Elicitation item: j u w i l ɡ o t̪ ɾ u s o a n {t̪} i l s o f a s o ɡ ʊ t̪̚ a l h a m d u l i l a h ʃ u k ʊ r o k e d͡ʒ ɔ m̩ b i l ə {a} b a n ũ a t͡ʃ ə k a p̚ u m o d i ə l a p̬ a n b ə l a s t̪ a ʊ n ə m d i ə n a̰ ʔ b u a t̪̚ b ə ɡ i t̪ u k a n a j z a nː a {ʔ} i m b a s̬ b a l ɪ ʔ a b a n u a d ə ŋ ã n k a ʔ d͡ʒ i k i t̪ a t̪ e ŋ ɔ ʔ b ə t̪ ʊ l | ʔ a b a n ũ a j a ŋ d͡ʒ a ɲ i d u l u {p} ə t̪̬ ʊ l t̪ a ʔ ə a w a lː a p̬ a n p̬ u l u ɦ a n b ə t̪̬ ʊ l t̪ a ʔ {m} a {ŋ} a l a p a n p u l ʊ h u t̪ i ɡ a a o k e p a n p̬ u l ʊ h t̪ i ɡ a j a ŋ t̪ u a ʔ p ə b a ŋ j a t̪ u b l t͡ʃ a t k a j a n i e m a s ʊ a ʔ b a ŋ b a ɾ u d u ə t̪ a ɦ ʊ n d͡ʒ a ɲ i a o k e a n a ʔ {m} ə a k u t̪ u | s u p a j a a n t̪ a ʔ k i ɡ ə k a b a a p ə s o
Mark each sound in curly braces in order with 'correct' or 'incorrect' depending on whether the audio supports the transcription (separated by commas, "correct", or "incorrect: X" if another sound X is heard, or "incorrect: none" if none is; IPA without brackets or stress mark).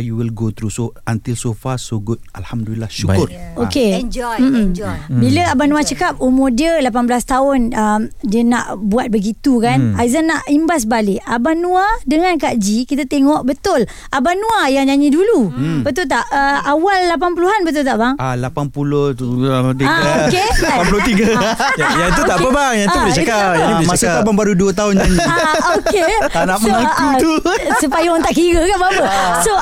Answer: correct, correct, correct, incorrect: b, incorrect: b, correct, correct